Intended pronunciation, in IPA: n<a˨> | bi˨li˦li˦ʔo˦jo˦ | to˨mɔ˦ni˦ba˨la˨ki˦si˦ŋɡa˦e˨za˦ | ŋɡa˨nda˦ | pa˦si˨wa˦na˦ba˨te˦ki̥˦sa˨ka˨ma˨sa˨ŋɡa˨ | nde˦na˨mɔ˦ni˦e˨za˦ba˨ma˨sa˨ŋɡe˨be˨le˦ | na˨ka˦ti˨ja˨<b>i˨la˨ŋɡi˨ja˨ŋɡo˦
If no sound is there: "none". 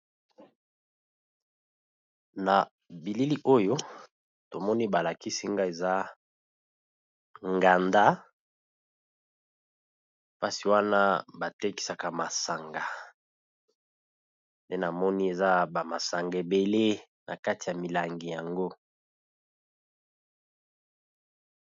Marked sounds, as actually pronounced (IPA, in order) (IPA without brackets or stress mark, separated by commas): a˨, m